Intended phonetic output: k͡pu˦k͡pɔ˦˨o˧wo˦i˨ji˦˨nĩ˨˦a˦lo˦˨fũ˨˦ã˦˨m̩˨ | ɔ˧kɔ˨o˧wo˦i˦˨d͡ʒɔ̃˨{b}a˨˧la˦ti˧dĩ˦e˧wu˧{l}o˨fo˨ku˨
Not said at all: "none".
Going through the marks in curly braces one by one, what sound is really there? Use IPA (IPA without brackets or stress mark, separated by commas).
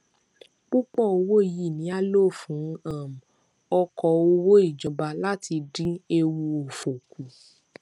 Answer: b, none